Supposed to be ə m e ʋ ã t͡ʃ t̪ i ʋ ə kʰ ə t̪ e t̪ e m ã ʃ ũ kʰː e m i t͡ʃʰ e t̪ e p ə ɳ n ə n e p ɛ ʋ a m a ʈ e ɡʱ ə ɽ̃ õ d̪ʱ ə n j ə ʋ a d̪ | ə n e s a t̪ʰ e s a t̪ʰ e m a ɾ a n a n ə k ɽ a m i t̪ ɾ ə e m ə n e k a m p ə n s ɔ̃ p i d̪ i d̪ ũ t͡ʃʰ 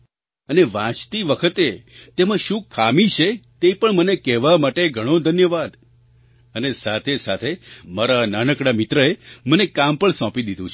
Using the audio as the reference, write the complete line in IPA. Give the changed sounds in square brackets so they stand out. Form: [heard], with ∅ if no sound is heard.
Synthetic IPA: ə [n] e ʋ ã t͡ʃ t̪ i ʋ ə kʰ ə t̪ e t̪ e m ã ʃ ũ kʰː [a] m i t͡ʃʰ e t̪ e p ə ɳ [m] ə n e [k] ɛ ʋ a m a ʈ e ɡʱ ə ɽ̃ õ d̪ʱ ə n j ə ʋ a d̪ | ə n e s a t̪ʰ e s a t̪ʰ e m a ɾ a n a n ə k ɽ a m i t̪ ɾ ə e m ə n e k a m p ə [ɳ] s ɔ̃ p i d̪ i d̪ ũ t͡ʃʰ